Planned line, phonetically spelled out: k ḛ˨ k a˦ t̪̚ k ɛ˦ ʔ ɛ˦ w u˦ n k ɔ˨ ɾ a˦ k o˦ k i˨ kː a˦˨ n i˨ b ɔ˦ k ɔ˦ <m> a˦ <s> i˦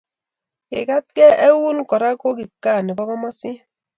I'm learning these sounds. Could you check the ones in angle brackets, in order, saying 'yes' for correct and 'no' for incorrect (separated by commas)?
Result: yes, yes